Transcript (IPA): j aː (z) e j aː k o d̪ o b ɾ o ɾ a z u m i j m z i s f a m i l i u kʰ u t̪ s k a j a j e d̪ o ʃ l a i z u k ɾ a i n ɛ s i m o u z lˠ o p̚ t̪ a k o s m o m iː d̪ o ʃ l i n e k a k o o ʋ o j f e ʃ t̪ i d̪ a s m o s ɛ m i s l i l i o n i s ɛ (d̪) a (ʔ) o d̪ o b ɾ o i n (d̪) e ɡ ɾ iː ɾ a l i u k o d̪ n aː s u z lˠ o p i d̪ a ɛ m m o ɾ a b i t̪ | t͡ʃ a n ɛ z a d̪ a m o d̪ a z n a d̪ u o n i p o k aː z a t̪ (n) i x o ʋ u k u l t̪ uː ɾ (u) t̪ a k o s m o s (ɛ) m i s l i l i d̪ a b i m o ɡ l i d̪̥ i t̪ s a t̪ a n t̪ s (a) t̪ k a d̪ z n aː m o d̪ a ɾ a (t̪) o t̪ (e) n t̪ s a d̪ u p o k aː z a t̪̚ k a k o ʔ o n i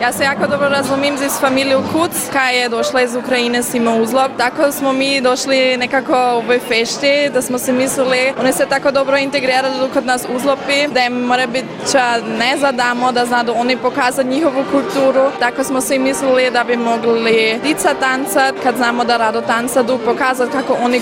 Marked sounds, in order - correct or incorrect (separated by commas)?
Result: incorrect, incorrect, incorrect, incorrect, incorrect, correct, incorrect, correct, incorrect, incorrect